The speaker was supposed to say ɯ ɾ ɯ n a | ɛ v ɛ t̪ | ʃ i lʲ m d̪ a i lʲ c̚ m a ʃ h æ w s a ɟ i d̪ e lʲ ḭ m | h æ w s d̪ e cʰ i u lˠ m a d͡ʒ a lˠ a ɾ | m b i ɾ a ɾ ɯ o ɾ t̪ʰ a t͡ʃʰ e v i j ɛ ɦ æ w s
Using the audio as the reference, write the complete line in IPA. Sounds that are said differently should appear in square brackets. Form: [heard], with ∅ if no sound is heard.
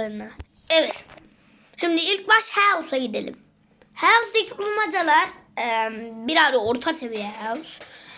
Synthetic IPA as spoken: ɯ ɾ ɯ n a | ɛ v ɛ t̪ | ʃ i [∅] m d̪ [i] i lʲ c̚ [b] a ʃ h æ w s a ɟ i d̪ e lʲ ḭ m | h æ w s d̪ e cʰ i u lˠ m a d͡ʒ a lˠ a ɾ | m b i ɾ a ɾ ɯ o ɾ t̪ʰ a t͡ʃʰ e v i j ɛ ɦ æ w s

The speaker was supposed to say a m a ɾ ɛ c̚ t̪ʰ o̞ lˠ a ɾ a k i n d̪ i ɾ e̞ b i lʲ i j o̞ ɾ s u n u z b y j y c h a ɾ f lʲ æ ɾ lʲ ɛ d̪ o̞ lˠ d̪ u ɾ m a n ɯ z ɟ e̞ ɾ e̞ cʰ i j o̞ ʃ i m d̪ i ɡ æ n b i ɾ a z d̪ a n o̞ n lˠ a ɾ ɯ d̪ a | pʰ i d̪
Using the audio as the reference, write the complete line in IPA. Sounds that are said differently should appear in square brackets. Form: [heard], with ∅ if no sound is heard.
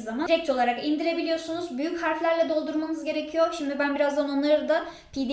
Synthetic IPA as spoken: a m a ɾ ɛ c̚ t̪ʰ o̞ lˠ a ɾ a k i n d̪ i ɾ e̞ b i lʲ i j o̞ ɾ s u n u z b y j y c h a ɾ f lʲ æ ɾ lʲ ɛ d̪ o̞ lˠ d̪ u ɾ m a n ɯ z ɟ e̞ ɾ e̞ cʰ i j o̞ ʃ i m d̪ i [b] æ n b i ɾ a z d̪ a n o̞ n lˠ a ɾ ɯ d̪ a | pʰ i d̪

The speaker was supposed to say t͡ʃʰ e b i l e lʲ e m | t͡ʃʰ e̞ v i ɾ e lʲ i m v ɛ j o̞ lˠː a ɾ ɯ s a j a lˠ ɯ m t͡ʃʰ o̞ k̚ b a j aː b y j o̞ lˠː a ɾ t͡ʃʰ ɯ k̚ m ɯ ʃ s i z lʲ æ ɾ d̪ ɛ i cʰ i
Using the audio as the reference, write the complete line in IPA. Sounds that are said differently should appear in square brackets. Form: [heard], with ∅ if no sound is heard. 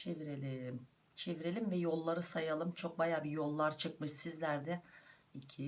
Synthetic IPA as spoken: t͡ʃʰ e [v] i [ɾ] e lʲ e m | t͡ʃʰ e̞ v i ɾ e lʲ i m v ɛ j o̞ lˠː a ɾ ɯ s a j a lˠ ɯ m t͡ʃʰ o̞ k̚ b a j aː b [i] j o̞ lˠː a ɾ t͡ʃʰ ɯ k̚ m ɯ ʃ s i z lʲ æ ɾ d̪ ɛ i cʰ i

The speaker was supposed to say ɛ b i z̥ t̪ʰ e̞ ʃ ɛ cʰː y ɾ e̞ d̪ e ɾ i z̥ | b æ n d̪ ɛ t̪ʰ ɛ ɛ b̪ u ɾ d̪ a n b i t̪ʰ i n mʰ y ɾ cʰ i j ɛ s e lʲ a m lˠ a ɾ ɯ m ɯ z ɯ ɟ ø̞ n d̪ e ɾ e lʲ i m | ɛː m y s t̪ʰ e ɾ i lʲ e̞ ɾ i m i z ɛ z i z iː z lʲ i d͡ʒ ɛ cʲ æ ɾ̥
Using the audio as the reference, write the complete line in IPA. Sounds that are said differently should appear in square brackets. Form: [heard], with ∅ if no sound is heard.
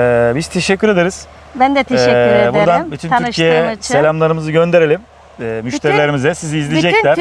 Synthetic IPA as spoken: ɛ b i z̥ t̪ʰ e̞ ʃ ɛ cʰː y ɾ e̞ d̪ e ɾ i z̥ | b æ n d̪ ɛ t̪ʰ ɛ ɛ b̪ u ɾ d̪ a n b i t̪ʰ [y] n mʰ y ɾ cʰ i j ɛ s e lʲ a m lˠ a ɾ ɯ m ɯ z ɯ ɟ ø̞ n d̪ e ɾ e lʲ i m | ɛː m y [ʃ] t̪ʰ e ɾ i lʲ e̞ ɾ i m i z ɛ [s] i z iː z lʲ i d͡ʒ ɛ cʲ æ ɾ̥

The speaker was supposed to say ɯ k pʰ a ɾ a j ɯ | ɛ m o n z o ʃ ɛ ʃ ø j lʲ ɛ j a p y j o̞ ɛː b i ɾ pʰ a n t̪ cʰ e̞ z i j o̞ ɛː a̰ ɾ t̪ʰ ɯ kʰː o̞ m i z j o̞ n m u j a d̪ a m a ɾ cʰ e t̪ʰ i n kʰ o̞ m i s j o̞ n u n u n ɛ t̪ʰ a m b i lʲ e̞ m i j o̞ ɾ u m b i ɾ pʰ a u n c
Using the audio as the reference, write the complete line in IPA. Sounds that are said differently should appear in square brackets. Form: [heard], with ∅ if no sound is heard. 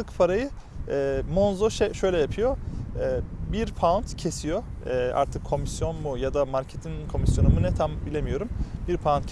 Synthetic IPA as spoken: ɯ k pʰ a ɾ a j ɯ | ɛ m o n z o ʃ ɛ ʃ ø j lʲ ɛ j a [pʰ] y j o̞ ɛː b i ɾ pʰ a n t̪ cʰ e̞ [s] i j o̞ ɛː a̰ ɾ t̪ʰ ɯ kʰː o̞ m i [s] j o̞ n m u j a d̪ a m a ɾ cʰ e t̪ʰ i n kʰ o̞ m i s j o̞ n u [m] u n ɛ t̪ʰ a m b i lʲ e̞ m i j o̞ ɾ u m b i ɾ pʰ a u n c

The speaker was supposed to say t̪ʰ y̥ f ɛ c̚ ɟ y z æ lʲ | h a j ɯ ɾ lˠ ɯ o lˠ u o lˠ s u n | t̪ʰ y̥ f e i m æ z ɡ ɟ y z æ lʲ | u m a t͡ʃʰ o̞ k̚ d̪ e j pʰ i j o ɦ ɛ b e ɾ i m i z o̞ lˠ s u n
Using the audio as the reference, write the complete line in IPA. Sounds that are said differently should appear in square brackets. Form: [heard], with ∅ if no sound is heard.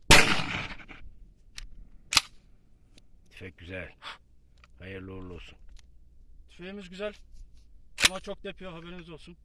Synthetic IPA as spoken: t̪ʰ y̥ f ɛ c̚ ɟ y z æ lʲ | h a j ɯ ɾ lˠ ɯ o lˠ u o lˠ s u n | t̪ʰ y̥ f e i m [i] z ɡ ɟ y z æ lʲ | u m a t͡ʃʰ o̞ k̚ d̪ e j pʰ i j o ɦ [a] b e ɾ i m i z o̞ lˠ s u n

